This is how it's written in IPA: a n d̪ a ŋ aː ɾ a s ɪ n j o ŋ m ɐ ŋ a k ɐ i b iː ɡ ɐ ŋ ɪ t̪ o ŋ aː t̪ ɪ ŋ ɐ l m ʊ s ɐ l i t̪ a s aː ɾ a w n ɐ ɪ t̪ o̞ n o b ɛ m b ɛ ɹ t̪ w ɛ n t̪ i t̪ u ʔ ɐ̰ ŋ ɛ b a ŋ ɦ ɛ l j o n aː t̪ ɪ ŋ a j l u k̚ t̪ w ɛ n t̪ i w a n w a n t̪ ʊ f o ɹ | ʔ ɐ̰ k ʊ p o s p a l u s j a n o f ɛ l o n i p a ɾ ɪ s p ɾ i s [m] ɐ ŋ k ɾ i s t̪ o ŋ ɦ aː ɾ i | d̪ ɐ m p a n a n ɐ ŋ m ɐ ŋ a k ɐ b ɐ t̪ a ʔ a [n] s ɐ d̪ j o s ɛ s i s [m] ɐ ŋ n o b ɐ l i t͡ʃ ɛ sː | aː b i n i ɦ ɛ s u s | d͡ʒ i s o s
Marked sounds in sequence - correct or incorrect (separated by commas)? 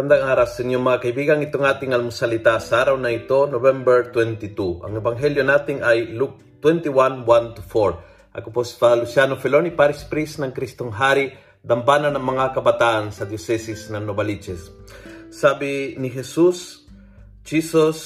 incorrect, correct, incorrect